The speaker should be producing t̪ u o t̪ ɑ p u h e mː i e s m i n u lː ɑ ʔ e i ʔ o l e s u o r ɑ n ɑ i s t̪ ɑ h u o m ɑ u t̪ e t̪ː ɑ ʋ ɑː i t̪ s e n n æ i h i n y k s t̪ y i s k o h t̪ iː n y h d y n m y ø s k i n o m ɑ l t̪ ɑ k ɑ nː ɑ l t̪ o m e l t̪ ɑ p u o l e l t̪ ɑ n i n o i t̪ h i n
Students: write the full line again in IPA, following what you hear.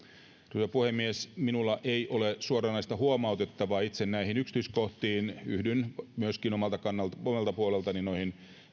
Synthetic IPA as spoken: t̪ u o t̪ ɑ p u h e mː i e s m i n u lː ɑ ʔ e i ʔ o l e s u o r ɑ n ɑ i s t̪ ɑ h u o m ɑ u t̪ e t̪ː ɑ ʋ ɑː i t̪ s e n n æ i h i n y k s t̪ y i s k o h t̪ iː n y h d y n m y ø s k i n o m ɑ l t̪ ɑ k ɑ nː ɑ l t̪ o m e l t̪ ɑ p u o l e l t̪ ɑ n i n o i h i n